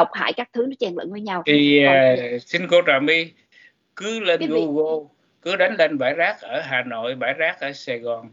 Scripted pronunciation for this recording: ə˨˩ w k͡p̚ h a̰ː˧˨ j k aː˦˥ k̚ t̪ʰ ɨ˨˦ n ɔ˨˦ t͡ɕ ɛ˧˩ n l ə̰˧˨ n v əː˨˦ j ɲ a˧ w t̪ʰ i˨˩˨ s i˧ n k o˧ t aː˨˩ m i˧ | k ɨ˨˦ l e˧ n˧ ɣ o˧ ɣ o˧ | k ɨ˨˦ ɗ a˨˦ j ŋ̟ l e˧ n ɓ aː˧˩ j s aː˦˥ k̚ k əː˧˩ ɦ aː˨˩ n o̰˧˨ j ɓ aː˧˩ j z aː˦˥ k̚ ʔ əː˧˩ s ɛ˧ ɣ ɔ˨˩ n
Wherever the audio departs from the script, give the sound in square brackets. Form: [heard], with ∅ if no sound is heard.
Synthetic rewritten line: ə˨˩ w k͡p̚ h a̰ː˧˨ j k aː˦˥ k̚ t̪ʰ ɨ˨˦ n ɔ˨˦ t͡ɕ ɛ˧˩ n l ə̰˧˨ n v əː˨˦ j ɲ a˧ w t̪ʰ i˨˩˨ s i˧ n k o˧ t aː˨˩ m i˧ | k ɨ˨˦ l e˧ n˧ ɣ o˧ ɣ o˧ | k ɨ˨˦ ɗ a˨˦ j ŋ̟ l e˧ n ɓ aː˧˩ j [z] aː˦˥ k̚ [ʔ] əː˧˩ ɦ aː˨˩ n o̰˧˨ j ɓ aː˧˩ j z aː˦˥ k̚ ʔ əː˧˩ s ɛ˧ ɣ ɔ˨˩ n